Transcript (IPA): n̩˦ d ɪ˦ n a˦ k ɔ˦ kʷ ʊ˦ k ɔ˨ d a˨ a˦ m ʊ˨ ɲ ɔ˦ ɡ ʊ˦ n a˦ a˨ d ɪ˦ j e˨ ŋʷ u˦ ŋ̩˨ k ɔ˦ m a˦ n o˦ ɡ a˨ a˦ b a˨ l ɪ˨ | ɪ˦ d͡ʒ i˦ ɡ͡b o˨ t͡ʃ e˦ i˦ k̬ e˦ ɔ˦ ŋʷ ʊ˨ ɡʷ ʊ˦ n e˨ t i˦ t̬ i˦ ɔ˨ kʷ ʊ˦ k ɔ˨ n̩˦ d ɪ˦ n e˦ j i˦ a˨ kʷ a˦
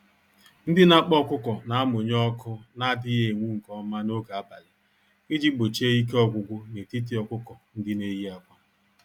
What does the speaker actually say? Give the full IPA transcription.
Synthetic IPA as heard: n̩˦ d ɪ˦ n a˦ k͡p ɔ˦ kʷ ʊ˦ k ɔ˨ n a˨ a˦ m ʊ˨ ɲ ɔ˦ k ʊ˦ n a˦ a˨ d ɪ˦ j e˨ ŋʷ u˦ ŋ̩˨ k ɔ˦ m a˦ n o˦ ɡ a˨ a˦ b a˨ l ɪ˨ | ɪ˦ d͡ʒ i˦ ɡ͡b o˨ t͡ʃ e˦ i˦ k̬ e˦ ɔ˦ ɡʷ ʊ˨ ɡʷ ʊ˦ n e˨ t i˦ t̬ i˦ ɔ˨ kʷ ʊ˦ k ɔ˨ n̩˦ d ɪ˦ n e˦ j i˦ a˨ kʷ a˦

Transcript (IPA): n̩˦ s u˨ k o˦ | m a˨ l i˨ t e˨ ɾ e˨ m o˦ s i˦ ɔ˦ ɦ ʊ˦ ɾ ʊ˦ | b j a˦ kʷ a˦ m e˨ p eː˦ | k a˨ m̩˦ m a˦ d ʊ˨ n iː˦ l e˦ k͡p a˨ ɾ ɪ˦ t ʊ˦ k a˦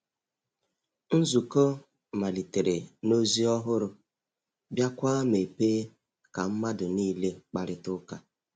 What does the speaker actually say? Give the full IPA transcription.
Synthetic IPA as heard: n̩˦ z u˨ k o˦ | m a˨ l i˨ t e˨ ɾ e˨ n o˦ z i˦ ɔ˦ ɦ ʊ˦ ɾ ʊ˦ | b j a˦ kʷ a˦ m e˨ p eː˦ | k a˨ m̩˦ m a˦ d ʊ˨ n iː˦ l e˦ k͡p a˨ ɾ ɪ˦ t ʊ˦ k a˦

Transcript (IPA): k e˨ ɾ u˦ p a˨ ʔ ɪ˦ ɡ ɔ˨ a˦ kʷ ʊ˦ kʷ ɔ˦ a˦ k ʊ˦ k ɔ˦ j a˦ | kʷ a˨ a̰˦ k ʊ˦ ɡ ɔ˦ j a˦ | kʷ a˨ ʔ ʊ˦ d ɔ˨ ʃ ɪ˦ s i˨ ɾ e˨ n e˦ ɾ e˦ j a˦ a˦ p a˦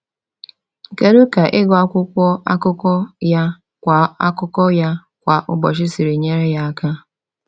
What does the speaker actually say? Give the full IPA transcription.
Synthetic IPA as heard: k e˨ ɾ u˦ k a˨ ʔ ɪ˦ ɡ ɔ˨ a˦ kʷ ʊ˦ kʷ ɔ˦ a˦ k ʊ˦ k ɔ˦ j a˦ | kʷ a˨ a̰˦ k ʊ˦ k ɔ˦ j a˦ | kʷ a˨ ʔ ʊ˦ b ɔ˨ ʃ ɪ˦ s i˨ ɾ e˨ ɲ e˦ ɾ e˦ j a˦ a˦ k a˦

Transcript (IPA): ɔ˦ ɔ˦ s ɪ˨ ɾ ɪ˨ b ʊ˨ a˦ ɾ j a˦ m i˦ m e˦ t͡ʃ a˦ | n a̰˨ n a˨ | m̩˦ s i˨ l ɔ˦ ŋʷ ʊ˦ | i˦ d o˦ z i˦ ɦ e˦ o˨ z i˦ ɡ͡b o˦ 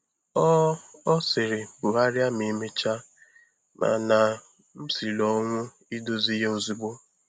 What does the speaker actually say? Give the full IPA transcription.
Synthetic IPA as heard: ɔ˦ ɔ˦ s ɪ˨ ɾ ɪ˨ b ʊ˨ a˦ ɾ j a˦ m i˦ m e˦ t͡ʃ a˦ | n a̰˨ n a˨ | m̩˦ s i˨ l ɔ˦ ŋʷ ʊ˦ | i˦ d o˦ z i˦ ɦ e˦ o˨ z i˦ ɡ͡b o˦

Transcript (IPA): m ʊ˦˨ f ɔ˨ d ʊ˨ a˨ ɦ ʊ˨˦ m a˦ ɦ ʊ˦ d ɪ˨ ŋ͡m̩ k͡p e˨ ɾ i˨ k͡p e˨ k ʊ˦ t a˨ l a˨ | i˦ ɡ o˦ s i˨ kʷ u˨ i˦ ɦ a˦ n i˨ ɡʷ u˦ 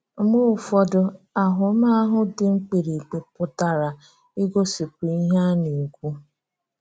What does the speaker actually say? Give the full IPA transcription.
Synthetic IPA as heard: m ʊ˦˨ f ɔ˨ d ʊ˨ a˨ ɦ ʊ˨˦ m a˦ ɦ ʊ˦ d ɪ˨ ŋ͡m̩ k͡p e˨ ɾ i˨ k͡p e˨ p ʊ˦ t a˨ ɾ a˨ | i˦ ɡ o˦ s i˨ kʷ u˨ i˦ ɦ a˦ n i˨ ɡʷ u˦

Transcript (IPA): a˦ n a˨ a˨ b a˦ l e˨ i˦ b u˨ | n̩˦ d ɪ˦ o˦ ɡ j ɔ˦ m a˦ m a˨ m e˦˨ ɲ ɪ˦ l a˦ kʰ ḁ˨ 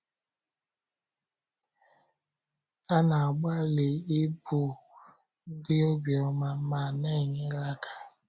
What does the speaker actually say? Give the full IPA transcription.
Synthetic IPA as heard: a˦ n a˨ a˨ ɡ͡b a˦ l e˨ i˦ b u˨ | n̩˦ d ɪ˦ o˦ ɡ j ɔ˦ m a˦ m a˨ n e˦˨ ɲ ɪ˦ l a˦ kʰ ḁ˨

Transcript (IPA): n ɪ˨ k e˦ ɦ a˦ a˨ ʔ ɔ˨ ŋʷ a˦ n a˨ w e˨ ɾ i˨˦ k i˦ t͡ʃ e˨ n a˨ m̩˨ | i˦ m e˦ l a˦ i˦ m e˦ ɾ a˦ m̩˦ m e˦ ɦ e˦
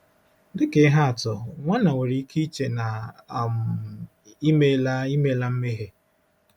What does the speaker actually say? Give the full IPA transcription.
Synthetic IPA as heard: d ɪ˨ k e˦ ɦ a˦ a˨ t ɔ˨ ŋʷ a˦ n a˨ w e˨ ɾ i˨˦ k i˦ t͡ʃ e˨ n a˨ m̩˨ | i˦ m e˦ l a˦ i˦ m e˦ l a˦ m̩˦ m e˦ ɦ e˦

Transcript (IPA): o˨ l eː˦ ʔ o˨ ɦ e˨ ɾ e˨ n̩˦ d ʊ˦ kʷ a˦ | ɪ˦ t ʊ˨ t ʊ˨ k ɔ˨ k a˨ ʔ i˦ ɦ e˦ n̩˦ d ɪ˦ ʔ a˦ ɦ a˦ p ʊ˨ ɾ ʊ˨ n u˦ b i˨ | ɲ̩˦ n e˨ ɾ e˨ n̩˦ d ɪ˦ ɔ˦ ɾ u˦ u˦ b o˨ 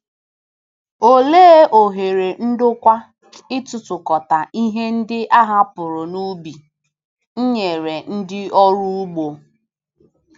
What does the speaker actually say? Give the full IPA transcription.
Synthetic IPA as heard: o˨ l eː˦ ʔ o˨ ɦ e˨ ɾ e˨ n̩˦ d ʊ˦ kʷ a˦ | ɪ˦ t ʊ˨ t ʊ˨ k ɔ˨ t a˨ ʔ i˦ ɦ e˦ n̩˦ d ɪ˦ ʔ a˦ ɦ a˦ p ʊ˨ ɾ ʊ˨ n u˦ b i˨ | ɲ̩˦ ɲ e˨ ɾ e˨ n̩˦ d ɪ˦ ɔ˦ ɾ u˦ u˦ ɡ͡b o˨

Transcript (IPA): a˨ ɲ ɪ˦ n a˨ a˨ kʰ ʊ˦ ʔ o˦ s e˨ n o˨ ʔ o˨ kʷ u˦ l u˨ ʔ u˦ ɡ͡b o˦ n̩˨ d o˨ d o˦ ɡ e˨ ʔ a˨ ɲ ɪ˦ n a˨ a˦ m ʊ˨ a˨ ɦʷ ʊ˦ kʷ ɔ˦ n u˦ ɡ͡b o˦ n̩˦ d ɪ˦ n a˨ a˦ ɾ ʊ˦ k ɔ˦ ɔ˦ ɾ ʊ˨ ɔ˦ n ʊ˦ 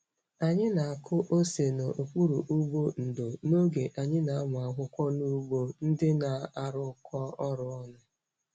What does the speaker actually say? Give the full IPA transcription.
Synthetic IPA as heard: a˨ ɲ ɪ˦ n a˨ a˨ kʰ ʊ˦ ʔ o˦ s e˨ n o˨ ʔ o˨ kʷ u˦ ɾ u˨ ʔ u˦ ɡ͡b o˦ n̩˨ d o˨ n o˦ ɡ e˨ ʔ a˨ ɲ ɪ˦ n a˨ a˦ m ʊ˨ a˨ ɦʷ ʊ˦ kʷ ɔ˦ n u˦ ɡ͡b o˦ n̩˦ d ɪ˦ n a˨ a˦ ɾ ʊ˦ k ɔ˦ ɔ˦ ɾ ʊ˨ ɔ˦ n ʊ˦

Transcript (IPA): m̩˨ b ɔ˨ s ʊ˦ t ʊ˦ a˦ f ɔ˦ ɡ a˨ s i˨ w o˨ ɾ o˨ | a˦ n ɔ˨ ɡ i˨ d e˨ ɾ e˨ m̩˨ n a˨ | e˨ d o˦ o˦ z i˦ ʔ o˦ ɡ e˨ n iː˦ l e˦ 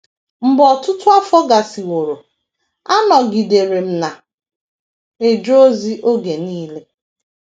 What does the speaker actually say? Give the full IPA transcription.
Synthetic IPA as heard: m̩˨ b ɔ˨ t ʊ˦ t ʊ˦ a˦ f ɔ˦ ɡ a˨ s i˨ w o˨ ɾ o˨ | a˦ n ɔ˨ ɡ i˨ d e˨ ɾ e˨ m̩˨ n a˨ | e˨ d͡ʒ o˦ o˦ z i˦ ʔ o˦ ɡ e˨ n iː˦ l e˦

